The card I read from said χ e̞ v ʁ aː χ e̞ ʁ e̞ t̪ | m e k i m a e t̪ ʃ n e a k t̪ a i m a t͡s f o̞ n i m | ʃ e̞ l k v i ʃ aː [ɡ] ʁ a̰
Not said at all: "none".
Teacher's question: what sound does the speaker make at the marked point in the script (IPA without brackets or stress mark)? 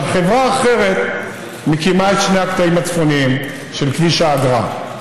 ɡ